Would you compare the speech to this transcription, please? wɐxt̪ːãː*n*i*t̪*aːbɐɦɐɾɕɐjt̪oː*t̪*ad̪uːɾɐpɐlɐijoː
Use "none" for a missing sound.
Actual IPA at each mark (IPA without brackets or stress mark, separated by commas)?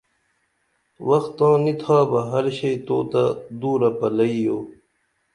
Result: n, t̪ʰ, t̪